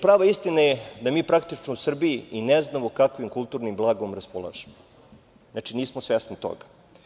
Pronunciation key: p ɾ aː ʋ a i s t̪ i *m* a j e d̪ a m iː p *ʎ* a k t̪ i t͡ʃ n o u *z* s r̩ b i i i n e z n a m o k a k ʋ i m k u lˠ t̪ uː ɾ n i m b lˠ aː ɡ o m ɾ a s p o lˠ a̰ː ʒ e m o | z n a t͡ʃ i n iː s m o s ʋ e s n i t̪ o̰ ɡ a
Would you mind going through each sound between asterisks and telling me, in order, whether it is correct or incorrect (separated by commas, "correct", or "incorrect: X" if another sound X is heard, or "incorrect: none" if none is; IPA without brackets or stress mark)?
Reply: incorrect: n, incorrect: ɾ, incorrect: none